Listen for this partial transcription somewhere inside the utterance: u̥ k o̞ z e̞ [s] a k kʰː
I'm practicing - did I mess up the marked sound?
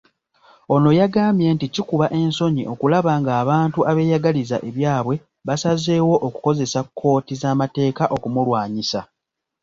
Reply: no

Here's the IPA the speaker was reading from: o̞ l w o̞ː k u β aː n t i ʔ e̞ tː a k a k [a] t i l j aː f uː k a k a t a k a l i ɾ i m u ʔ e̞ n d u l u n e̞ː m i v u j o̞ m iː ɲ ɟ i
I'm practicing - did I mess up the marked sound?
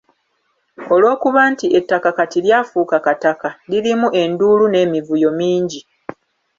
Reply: no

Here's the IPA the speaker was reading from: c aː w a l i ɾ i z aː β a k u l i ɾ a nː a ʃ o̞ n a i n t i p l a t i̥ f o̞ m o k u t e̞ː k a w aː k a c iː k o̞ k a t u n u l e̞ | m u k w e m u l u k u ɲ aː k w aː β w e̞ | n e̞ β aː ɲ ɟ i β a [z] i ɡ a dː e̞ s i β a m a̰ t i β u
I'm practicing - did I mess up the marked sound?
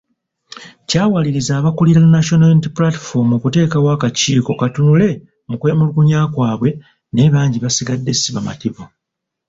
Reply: yes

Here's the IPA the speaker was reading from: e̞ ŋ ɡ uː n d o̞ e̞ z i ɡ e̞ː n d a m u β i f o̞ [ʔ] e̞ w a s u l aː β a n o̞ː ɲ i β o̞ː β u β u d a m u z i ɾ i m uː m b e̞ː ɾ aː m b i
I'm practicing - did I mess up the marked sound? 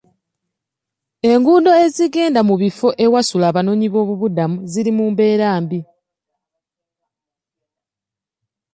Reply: no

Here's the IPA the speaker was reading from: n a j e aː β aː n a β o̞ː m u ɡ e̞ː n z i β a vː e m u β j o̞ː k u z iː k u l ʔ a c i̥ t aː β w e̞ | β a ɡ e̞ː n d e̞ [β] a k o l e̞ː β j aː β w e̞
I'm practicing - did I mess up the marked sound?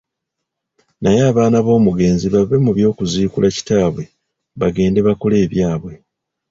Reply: no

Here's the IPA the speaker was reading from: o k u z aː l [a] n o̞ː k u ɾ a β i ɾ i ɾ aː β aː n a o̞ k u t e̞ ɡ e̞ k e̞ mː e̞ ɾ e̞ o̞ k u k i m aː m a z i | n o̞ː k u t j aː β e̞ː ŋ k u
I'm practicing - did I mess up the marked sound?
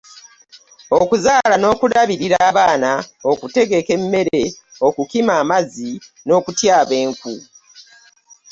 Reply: no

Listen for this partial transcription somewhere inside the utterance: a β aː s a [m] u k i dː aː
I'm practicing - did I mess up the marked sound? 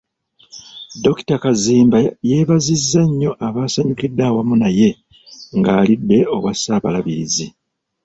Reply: yes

